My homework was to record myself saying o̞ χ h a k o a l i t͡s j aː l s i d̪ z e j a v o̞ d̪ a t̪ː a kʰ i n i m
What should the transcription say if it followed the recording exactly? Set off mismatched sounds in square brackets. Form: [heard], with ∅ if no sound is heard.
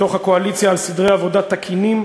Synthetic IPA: o̞ χ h a k o a l i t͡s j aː l s i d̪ [ʁ] e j a v o̞ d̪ a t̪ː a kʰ i n i m

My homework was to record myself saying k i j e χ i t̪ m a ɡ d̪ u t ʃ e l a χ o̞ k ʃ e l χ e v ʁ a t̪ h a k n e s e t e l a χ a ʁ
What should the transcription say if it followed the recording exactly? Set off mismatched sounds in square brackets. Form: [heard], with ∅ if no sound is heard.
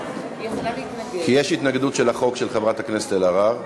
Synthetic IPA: k i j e [ʃ] i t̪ [n] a ɡ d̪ u t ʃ e l a χ o̞ k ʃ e l χ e v ʁ a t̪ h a k n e s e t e l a [ʁ] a ʁ

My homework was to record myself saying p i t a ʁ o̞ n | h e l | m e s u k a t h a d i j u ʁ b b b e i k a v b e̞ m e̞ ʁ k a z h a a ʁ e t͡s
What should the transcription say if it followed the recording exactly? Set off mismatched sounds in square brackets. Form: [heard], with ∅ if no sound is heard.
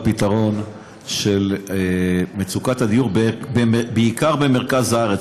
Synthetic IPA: p i t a ʁ o̞ n | [ʃ] e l | m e [t͡s] u k a t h a d i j u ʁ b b b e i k a [ʁ] b e̞ m e̞ ʁ k a z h a a ʁ e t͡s

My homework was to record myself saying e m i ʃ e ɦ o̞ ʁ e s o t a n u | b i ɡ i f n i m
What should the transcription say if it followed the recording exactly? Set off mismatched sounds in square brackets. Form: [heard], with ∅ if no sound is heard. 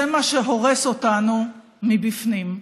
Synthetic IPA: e m [a] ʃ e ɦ o̞ ʁ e s o t a n u | [m] i [b] i f n i m

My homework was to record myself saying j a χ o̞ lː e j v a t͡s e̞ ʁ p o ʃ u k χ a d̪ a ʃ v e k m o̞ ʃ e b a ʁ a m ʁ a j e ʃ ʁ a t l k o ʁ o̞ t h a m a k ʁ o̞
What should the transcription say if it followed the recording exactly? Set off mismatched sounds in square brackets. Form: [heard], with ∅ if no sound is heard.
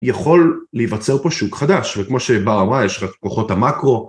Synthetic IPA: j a χ o̞ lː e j v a t͡s e̞ ʁ p o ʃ u k χ a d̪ a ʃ v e k m o̞ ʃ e b a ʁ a m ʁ a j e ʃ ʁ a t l k o [χ] o̞ t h a m a k ʁ o̞

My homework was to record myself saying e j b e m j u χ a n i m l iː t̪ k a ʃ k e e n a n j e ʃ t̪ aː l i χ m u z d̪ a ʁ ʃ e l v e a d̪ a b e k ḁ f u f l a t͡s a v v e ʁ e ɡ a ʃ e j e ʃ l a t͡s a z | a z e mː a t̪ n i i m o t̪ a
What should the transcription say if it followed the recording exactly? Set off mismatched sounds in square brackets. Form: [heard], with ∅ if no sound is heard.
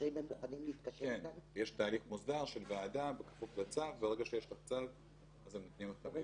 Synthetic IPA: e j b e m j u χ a n i m l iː t̪ k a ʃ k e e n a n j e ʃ t̪ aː l i χ m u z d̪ a ʁ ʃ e l v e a d̪ a b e k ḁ f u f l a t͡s a v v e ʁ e ɡ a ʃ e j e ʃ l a t͡s a [v] | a z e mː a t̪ n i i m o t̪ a

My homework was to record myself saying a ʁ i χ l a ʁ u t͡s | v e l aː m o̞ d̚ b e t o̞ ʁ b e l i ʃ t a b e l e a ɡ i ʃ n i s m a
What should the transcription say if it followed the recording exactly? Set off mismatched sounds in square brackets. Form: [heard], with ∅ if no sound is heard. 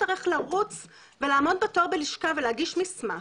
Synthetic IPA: a ʁ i χ l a ʁ u t͡s | v e l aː m o̞ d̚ b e t o̞ ʁ b e l i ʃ [k] a [v] e l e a ɡ i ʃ [m] i s m a

